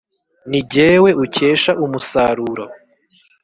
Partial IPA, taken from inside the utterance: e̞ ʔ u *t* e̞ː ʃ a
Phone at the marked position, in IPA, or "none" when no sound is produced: c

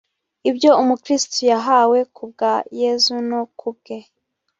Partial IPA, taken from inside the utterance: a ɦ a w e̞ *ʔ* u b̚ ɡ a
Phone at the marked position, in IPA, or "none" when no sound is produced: k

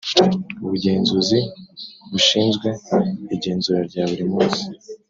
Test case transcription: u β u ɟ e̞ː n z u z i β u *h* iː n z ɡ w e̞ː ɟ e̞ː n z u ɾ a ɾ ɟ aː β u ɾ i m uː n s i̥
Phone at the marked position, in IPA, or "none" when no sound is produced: ʃ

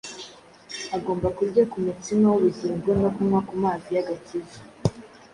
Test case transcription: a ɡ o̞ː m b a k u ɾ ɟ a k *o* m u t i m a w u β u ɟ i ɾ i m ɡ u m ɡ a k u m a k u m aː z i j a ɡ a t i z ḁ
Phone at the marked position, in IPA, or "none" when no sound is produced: u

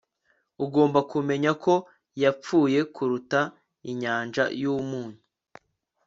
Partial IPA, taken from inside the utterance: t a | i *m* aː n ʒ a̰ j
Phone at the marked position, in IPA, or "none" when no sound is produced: ɲ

